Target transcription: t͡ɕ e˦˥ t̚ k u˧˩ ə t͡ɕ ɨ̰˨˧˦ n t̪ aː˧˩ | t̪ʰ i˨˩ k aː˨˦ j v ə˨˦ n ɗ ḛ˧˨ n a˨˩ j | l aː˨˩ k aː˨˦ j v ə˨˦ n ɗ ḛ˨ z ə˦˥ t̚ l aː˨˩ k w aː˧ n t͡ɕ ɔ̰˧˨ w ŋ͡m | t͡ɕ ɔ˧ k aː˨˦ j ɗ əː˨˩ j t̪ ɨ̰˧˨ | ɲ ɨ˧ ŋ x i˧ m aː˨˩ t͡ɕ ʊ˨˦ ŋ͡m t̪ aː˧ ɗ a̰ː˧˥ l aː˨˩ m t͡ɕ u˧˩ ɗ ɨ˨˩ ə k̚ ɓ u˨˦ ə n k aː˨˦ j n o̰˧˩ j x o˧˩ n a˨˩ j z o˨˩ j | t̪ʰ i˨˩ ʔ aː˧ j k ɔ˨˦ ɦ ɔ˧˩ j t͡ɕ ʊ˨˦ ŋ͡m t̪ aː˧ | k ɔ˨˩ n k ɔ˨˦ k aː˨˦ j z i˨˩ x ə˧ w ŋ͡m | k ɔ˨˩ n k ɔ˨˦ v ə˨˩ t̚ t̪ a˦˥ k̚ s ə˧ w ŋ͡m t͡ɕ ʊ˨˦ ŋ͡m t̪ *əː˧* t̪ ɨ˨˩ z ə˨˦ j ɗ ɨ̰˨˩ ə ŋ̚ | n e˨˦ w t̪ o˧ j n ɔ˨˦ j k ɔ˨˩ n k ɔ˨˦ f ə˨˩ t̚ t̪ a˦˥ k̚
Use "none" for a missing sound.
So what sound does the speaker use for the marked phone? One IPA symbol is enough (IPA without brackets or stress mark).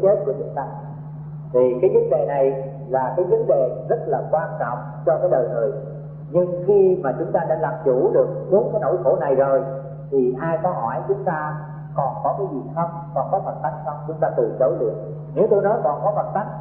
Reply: aː˧